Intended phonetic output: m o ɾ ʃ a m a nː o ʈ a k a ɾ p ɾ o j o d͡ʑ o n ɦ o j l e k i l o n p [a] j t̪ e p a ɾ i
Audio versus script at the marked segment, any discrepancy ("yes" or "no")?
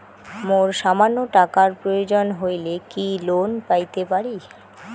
no